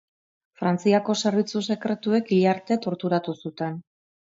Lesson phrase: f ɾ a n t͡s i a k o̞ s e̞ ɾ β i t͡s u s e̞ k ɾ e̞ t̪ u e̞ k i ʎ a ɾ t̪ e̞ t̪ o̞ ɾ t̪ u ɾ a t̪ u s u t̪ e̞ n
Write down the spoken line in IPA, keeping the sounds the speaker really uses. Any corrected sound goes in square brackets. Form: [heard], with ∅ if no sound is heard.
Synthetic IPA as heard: f ɾ a n t͡s i a k o̞ s e̞ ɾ β i t͡s u s e̞ k ɾ e̞ t̪ u e̞ k i ʎ a ɾ t̪ e̞ t̪ o̞ ɾ t̪ u ɾ a t̪ u s u t̪ e̞ n